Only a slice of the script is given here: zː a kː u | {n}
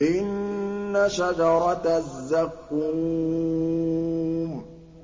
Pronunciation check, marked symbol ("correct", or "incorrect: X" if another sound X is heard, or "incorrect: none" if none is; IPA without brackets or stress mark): incorrect: m